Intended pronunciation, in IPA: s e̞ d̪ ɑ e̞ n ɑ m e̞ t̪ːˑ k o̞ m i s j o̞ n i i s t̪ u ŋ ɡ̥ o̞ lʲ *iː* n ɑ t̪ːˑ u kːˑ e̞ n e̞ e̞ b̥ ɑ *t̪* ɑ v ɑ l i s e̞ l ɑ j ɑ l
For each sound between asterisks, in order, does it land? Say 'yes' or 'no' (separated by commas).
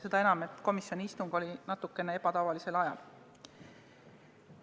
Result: no, yes